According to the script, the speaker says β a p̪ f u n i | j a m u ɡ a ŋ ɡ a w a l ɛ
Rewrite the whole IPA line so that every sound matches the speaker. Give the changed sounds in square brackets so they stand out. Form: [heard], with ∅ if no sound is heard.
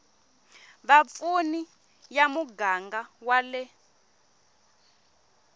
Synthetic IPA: β a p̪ f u n i | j a m u ɡ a ŋ ɡ a w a l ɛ